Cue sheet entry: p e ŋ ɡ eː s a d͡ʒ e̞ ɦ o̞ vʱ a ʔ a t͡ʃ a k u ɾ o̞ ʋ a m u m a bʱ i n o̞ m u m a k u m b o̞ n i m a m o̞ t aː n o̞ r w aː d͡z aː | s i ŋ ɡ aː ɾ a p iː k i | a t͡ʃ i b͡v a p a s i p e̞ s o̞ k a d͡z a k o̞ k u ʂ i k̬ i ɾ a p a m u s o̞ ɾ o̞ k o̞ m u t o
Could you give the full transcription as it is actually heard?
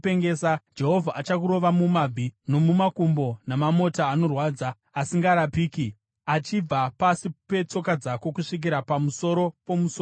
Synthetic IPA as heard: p e ŋ ɡ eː s a d͡ʒ e̞ ɦ o̞ vʱ a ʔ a t͡ʃ a k u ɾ o̞ ʋ a m u m a bʱ i n o̞ m u m a k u m b o̞ n a m a m o̞ t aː n o̞ r w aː d͡z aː | s i ŋ ɡ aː ɾ a p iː k i | a t͡ʃ i b͡v a p a s i p e̞ t͡s o̞ k a d͡z a k o̞ k u ʂ i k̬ i ɾ a p a m u s o̞ ɾ o̞ p o̞ m u s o